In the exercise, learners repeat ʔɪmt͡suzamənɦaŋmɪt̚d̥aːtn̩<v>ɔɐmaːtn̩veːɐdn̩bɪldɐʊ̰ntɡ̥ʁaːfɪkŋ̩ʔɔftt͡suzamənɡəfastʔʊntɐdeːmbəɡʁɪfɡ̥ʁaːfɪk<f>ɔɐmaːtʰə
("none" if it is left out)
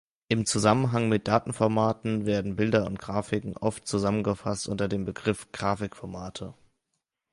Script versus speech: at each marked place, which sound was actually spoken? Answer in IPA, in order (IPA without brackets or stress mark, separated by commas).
f, f